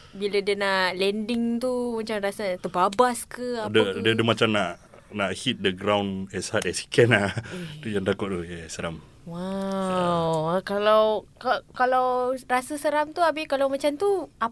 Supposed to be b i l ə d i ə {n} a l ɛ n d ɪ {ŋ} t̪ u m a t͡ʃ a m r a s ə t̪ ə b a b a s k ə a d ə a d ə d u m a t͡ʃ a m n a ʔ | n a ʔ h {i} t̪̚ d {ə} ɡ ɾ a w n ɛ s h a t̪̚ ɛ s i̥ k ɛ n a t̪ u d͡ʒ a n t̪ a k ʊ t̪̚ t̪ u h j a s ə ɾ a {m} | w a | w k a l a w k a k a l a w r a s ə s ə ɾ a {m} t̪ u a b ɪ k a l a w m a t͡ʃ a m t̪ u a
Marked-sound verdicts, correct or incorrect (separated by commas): correct, correct, correct, correct, correct, correct